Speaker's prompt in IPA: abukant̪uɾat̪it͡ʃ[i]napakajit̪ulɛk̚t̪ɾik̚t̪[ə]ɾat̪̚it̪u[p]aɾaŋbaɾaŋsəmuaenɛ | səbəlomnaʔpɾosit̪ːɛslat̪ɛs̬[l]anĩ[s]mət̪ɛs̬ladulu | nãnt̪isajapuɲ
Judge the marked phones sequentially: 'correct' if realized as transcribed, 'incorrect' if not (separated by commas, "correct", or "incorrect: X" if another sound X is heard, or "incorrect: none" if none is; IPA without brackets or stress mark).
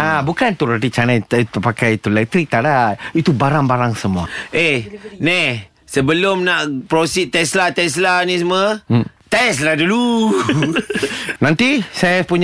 incorrect: a, incorrect: a, incorrect: b, correct, correct